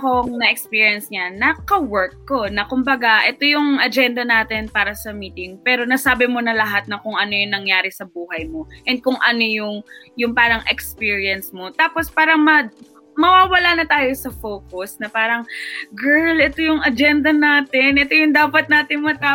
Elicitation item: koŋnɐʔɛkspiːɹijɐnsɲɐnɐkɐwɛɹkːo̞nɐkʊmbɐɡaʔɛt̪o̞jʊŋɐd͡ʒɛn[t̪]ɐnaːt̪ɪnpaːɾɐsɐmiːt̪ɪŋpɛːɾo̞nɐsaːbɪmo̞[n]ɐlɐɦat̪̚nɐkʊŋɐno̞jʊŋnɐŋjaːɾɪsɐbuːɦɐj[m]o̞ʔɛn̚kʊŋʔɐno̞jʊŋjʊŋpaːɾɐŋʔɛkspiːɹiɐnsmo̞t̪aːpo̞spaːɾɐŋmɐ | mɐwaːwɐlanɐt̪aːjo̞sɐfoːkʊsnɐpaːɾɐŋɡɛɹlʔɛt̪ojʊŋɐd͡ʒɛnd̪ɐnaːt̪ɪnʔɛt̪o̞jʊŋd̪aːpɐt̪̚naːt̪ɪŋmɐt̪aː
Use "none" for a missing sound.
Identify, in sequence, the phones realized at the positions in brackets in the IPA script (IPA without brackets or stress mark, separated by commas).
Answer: d̪, n, m